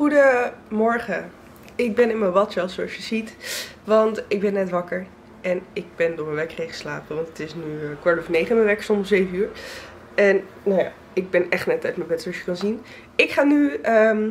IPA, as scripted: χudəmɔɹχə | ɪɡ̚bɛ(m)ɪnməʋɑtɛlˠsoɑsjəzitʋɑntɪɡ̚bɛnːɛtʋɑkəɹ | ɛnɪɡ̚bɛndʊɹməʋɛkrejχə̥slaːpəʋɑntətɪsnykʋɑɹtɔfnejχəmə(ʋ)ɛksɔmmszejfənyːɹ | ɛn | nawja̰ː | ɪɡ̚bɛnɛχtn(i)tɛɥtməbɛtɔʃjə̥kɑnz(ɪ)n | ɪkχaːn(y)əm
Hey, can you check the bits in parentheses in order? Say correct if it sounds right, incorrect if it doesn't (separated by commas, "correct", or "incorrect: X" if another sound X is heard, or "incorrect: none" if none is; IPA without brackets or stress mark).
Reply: incorrect: n, correct, incorrect: ɛ, incorrect: i, correct